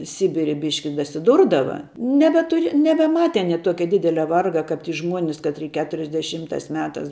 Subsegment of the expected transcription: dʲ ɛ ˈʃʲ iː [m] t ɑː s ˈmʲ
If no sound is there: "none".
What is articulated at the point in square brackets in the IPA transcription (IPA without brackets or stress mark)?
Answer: m